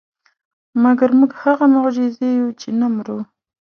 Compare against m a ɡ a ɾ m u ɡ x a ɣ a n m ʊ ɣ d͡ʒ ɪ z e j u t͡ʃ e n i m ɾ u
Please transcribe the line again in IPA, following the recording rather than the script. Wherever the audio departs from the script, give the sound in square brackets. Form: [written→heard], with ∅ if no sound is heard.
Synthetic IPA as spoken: m a ɡ a ɾ m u ɡ [x→h] a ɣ a [n→∅] m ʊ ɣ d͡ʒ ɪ z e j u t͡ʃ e n [i→a] m ɾ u